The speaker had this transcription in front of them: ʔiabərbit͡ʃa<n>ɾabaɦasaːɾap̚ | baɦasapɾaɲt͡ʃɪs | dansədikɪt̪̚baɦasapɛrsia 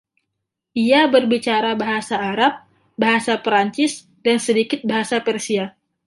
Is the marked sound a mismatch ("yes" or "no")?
yes